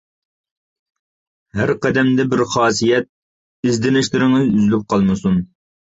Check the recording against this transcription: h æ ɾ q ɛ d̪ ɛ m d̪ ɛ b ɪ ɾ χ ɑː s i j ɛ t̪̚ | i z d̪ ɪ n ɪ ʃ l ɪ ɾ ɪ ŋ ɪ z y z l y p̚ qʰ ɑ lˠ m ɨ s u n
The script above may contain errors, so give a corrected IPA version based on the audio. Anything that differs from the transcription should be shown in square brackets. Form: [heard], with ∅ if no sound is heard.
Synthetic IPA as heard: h æ ɾ q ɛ d̪ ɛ m d̪ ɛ b ɪ ɾ χ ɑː s i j ɛ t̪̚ | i z d̪ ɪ n ɪ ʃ l ɪ ɾ ɪ ŋ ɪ z y z l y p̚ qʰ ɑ lˠ m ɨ s u n